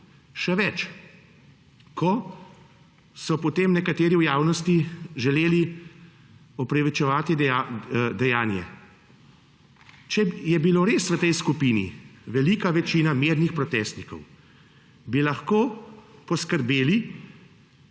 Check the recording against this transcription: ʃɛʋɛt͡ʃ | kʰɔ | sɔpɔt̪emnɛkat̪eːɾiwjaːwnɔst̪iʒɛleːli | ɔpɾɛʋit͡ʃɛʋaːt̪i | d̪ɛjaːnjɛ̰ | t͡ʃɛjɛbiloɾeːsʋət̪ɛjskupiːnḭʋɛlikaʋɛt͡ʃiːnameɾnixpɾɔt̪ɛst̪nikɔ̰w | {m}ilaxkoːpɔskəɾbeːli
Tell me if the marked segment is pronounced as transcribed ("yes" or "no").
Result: no